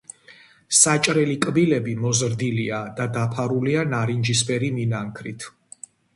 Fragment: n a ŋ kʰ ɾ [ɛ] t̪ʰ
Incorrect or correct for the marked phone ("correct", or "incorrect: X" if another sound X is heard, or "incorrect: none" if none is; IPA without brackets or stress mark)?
incorrect: i